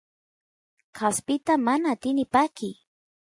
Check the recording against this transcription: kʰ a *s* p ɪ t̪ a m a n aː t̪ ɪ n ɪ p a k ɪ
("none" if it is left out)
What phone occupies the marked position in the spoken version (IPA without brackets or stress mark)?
s